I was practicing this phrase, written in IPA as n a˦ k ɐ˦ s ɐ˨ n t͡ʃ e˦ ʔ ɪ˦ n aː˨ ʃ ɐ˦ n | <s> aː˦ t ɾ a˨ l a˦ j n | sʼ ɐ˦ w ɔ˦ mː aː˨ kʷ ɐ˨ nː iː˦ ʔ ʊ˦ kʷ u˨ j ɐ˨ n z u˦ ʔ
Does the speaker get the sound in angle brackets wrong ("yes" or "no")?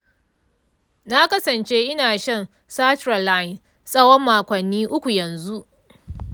no